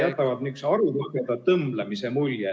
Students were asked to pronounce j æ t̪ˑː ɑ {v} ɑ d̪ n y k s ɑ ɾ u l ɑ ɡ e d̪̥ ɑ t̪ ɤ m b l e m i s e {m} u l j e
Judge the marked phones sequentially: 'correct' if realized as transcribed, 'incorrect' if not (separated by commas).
correct, correct